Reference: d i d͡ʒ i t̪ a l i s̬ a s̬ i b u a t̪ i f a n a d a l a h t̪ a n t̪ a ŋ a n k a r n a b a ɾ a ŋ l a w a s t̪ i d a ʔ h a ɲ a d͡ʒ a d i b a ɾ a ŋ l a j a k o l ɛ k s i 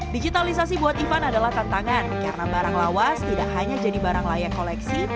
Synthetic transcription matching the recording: d i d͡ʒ i t̪ a l i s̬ a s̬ i b u a t̪ i f a n a d a l a h t̪ a n t̪ a ŋ a n k a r n a b a ɾ a ŋ l a w a s t̪ i d a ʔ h a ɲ a d͡ʒ a d i b a ɾ a ŋ l a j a k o l ɛ k s i